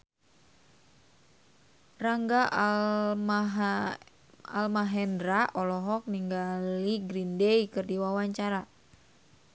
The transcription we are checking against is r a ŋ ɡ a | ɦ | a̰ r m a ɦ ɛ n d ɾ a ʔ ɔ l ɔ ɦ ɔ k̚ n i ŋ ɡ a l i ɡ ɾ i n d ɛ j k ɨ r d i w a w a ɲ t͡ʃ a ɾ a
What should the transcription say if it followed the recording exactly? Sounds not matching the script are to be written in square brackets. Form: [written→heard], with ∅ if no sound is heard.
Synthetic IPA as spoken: r a ŋ ɡ a | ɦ | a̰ [r→l] m a ɦ ɛ n d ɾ a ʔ ɔ l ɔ ɦ ɔ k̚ n i ŋ ɡ a l i ɡ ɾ i n d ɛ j k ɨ r d i w a w a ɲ t͡ʃ a ɾ a